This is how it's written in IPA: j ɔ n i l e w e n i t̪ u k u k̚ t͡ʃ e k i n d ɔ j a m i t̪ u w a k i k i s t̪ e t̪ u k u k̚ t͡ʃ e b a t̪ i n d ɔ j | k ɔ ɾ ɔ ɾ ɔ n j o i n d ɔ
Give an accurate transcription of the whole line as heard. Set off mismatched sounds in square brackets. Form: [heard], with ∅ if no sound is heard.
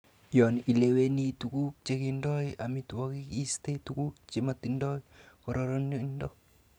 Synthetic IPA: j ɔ n i l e w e n i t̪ u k u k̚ t͡ʃ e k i n d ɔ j a m i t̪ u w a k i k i s t̪ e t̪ u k u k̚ t͡ʃ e [m] a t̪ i n d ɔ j | k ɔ ɾ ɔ ɾ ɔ n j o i n d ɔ